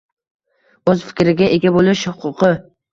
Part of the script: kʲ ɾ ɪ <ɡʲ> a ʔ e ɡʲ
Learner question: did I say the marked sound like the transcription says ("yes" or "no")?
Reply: yes